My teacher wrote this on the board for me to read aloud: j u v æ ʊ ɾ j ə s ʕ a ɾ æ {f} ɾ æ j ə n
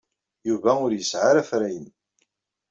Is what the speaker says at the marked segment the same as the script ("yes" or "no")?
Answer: yes